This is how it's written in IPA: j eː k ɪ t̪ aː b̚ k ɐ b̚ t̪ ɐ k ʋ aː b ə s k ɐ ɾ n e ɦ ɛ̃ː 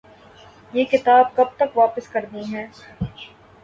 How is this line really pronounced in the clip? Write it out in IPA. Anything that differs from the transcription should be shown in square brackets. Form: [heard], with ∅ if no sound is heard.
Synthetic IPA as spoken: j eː k ɪ t̪ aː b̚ k ɐ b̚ t̪ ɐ k ʋ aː [p] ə s k ɐ ɾ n [i] ɦ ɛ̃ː